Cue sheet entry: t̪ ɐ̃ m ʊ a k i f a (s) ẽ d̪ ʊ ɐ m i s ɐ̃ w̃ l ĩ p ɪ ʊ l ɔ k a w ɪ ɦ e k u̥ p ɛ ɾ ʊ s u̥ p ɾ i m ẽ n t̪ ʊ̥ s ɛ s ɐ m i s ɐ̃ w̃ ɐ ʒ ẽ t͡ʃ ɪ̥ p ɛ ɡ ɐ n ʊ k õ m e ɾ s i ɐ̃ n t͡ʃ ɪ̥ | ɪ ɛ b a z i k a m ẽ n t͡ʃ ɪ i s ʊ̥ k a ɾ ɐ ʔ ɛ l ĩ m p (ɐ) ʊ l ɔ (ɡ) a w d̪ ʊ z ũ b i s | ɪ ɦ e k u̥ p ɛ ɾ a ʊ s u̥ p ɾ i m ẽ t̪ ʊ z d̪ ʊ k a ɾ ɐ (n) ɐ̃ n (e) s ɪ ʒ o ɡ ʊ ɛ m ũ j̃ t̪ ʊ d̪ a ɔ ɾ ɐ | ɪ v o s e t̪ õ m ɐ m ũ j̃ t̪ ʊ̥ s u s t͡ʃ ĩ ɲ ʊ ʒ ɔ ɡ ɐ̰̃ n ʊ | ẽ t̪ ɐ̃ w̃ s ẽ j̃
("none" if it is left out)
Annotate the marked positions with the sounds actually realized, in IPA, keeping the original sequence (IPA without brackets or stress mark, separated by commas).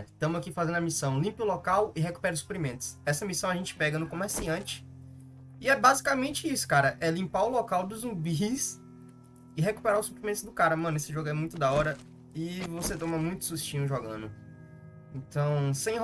z, a, k, m, e